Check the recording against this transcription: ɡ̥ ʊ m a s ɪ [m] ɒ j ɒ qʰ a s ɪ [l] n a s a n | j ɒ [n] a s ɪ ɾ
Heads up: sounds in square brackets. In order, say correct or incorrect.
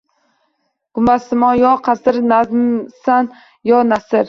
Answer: correct, incorrect: ɾ, correct

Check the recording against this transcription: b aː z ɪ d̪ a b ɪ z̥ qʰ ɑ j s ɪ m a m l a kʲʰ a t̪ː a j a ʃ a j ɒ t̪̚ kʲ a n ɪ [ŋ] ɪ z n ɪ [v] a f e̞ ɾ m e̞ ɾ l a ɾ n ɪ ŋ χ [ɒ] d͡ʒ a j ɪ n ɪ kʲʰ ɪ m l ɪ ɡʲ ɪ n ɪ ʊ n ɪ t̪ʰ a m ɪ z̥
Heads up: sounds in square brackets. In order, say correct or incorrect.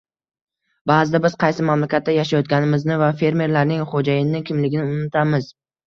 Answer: incorrect: m, correct, incorrect: o

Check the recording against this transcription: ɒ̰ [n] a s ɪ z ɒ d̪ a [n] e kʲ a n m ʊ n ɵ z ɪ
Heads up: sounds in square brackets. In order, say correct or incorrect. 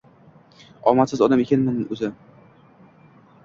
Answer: incorrect: m, incorrect: m

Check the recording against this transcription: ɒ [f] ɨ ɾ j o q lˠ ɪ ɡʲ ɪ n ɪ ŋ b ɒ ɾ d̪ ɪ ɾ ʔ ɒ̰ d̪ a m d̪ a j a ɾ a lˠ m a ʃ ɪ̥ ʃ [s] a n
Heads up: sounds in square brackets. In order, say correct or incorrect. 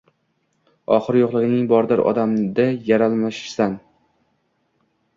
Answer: incorrect: χ, correct

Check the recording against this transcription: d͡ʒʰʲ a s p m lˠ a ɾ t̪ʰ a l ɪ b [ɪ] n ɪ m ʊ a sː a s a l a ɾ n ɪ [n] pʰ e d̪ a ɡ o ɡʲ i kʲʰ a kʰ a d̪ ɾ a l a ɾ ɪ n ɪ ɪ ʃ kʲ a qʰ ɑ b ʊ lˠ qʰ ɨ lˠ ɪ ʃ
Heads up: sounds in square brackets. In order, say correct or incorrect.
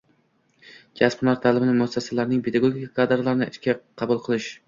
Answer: correct, incorrect: ŋ

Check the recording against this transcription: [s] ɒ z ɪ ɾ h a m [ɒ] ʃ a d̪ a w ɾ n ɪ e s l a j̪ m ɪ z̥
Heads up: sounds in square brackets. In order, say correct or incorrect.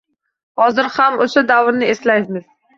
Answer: incorrect: h, incorrect: o

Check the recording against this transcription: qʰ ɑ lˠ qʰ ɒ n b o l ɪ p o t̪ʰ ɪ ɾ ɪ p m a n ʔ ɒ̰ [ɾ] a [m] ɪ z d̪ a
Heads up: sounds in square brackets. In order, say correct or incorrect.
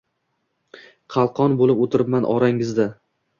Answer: correct, incorrect: ŋ

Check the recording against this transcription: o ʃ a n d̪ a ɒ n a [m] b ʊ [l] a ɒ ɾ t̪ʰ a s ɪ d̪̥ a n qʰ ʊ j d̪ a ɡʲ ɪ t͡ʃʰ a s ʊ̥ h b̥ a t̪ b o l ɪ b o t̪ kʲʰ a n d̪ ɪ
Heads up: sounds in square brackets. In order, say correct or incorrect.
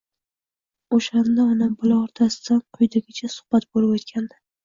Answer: correct, correct

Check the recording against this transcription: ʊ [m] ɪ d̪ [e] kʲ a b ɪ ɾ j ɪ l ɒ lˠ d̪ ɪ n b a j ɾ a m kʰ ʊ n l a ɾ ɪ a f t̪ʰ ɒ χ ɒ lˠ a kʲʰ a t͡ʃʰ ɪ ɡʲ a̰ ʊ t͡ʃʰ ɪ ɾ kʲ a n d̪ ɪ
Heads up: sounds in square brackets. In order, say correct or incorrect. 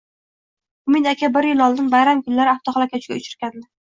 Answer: correct, incorrect: a

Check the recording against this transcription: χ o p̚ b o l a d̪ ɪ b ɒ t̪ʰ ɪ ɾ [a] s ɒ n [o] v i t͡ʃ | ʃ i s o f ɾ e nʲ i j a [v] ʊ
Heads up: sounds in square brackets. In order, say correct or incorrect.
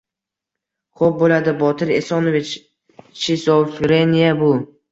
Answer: incorrect: e, correct, incorrect: b

